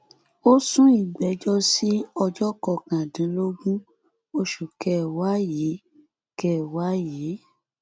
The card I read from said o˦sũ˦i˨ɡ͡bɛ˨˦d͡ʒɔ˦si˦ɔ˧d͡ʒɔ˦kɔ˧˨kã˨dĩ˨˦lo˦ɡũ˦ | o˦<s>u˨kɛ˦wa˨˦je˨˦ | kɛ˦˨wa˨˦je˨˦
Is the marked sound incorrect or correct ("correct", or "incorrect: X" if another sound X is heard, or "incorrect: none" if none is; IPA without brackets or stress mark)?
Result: incorrect: ʃ